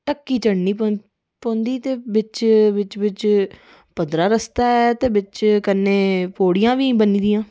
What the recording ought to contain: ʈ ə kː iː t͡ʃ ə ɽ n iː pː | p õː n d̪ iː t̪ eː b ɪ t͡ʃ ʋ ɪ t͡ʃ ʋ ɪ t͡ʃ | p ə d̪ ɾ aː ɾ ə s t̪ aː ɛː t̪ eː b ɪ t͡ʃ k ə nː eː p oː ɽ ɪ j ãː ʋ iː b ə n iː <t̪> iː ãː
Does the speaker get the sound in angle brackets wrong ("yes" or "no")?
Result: yes